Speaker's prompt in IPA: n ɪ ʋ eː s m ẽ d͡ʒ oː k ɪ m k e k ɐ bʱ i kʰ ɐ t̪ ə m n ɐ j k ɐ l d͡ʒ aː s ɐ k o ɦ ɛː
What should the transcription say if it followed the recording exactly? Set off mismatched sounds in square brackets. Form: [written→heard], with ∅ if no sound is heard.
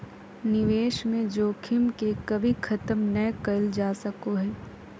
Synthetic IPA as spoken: n ɪ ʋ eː [s→ʃ] m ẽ d͡ʒ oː [k→kʰ] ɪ m k e k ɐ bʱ i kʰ ɐ t̪ ə m n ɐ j k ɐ l d͡ʒ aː s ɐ k o ɦ ɛː